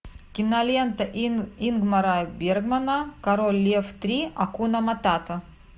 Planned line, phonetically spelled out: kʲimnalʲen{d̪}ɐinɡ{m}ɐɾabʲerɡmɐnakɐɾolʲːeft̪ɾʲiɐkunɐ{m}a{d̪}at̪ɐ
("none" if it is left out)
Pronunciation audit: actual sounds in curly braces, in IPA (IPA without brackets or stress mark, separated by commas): t̪, m, m, t̪